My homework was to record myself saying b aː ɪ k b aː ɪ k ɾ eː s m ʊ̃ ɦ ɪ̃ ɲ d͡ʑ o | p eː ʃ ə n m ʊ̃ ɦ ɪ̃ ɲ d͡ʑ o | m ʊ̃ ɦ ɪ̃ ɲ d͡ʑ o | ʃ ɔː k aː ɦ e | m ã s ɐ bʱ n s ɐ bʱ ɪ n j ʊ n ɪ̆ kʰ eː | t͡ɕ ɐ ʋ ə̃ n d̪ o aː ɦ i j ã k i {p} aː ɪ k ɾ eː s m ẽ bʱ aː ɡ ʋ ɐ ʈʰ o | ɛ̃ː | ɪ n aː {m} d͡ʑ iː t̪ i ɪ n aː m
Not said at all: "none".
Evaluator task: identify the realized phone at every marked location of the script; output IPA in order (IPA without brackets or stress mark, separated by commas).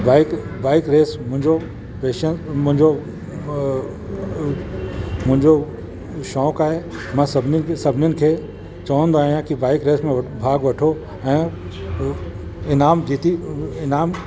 b, m